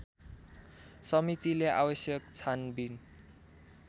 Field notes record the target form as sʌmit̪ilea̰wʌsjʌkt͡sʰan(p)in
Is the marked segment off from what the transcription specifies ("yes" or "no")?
yes